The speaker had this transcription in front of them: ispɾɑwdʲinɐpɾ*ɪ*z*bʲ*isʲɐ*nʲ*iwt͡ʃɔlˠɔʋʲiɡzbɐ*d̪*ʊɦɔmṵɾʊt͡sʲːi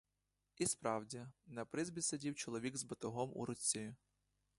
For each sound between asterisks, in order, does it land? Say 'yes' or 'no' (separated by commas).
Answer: yes, yes, no, no